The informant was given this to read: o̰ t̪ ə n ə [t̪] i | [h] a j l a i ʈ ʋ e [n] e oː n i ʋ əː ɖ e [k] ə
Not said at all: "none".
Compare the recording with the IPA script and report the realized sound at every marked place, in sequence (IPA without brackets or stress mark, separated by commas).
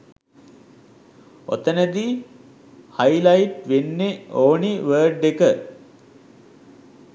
d̪, h, nː, k